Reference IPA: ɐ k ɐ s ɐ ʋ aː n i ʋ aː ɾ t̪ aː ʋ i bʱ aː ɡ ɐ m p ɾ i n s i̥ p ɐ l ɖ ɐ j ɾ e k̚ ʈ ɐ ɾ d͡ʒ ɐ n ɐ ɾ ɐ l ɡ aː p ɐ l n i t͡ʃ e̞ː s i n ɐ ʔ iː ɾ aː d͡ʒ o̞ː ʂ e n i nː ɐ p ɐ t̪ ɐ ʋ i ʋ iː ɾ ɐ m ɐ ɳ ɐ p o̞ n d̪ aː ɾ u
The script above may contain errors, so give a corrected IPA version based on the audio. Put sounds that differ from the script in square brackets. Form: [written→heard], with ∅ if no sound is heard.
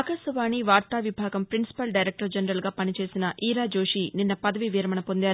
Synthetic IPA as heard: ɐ k ɐ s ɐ ʋ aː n i ʋ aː ɾ t̪ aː ʋ i bʱ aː ɡ ɐ m p ɾ i n s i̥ p ɐ l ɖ ɐ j ɾ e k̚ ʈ ɐ ɾ d͡ʒ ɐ n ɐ ɾ ɐ l ɡ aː p ɐ [l→∅] n i t͡ʃ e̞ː s i n ɐ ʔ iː ɾ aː d͡ʒ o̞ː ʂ [e→i] n i nː ɐ p ɐ [t̪→d̪] ɐ ʋ i ʋ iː ɾ ɐ m ɐ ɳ ɐ p o̞ n d̪ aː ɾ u